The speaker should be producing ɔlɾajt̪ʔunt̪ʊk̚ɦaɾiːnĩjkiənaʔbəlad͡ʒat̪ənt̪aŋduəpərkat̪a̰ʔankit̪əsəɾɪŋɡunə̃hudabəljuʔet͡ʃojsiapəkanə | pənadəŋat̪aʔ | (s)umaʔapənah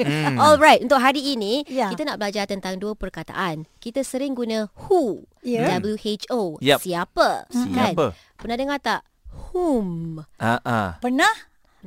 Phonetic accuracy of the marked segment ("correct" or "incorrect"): incorrect